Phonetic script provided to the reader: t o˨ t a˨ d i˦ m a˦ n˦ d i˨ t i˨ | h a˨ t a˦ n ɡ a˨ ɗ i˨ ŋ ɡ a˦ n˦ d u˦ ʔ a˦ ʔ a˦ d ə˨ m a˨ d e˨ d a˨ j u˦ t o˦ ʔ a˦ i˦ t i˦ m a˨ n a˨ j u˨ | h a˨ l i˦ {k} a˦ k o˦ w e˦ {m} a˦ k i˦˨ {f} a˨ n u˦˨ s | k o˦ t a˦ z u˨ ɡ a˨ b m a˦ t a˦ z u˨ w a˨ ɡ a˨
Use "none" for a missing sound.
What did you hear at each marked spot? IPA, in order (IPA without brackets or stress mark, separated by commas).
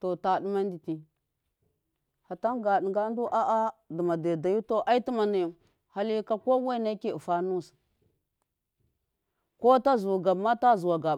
k, n, f